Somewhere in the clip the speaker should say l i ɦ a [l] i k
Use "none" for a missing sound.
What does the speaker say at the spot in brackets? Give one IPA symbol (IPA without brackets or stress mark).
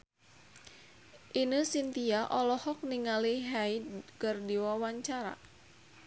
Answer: none